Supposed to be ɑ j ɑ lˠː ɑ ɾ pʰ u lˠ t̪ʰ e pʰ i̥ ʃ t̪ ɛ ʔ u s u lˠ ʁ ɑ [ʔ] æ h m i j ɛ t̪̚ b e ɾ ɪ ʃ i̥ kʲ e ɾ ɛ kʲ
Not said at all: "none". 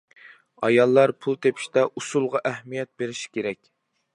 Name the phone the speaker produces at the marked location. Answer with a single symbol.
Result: ʔ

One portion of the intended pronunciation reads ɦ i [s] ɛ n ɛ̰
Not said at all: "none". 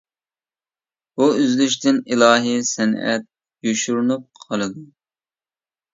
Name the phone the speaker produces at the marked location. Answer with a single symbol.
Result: s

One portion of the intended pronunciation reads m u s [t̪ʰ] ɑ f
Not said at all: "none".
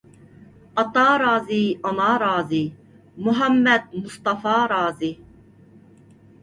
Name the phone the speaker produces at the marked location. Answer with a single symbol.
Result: t̪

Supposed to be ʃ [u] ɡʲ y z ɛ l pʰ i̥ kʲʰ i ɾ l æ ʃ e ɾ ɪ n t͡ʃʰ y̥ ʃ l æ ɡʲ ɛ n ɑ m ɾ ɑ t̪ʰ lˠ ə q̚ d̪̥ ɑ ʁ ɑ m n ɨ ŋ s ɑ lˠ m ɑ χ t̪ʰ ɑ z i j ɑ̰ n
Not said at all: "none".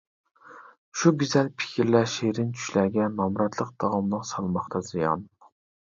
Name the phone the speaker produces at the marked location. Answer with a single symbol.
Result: u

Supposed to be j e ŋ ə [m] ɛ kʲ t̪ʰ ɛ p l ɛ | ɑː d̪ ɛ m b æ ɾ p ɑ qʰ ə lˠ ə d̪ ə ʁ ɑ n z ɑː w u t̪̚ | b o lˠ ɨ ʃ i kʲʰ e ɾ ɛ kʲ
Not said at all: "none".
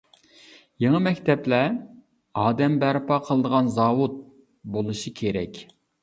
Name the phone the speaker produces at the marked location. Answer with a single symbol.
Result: m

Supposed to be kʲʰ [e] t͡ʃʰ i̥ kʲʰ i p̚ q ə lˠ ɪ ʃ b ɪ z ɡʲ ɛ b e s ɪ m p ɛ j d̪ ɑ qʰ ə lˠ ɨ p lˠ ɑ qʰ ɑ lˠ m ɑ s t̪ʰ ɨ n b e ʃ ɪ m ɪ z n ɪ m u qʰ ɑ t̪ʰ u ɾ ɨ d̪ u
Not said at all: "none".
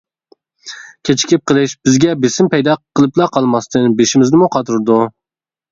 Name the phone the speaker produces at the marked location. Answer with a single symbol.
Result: e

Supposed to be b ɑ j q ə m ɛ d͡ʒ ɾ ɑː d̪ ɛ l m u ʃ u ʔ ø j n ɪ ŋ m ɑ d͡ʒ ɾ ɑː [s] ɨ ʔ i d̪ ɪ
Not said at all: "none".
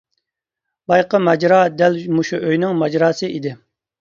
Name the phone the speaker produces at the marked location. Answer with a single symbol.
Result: s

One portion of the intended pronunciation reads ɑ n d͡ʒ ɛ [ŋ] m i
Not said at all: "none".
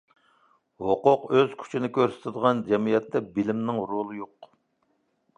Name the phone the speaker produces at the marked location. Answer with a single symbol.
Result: none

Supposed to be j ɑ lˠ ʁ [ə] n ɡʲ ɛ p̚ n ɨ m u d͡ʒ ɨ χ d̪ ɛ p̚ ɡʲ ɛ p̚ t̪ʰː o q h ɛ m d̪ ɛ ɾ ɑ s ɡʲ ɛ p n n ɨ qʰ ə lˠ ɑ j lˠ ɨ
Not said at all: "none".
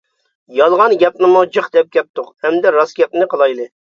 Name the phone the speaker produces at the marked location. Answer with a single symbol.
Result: ɑ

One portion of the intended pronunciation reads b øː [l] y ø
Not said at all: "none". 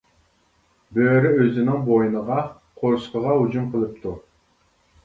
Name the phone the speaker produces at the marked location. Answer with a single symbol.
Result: ɾ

